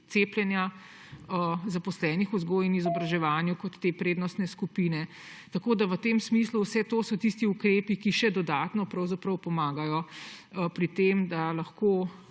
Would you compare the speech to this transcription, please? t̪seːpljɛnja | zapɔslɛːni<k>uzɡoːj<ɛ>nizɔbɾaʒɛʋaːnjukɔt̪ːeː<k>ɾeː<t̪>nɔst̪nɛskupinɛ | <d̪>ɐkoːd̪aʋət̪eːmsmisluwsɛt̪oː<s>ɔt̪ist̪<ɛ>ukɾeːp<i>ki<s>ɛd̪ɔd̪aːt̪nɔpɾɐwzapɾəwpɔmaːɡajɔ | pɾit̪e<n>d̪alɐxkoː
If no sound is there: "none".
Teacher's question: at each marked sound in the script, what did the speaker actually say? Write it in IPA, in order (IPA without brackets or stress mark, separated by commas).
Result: x, i, p, d̪, t̪, s, i, i, ʃ, m